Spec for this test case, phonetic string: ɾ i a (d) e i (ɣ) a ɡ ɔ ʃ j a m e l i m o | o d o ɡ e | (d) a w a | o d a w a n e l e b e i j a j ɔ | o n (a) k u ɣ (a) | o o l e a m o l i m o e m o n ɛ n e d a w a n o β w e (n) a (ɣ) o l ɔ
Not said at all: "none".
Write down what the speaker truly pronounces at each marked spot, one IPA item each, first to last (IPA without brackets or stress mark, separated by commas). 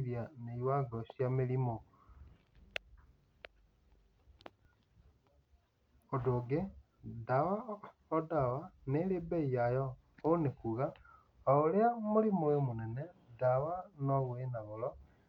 n, w, d, e, a, n, ɣ